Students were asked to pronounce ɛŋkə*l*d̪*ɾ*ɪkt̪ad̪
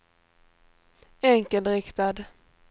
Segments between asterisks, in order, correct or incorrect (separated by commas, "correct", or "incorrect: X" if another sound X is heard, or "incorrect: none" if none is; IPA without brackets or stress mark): correct, correct